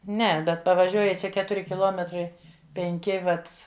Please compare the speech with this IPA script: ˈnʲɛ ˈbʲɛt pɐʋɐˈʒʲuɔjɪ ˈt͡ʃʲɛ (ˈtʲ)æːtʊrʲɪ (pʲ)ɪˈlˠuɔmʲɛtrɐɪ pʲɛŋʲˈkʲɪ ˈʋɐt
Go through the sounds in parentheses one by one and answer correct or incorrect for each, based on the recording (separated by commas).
incorrect, incorrect